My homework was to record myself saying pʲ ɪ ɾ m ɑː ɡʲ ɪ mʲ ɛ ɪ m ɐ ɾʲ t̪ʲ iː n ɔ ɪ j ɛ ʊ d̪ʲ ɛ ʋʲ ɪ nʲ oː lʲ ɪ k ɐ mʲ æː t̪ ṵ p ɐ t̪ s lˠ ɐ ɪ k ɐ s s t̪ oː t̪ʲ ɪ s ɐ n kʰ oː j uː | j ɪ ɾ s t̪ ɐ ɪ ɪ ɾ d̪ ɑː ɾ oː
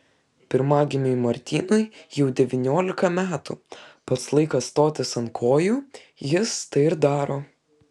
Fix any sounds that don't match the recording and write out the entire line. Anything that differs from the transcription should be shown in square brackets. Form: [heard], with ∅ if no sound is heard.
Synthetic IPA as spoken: pʲ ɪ ɾ m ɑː ɡʲ ɪ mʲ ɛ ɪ m ɐ ɾʲ t̪ʲ iː n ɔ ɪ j ɛ ʊ d̪ʲ ɛ ʋʲ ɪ nʲ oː lʲ ɪ k ɐ mʲ æː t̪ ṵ p ɐ t̪ s lˠ ɐ ɪ k ɐ s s t̪ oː t̪ʲ ɪ s ɐ n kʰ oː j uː | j ɪ [∅] s t̪ ɐ ɪ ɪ ɾ d̪ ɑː ɾ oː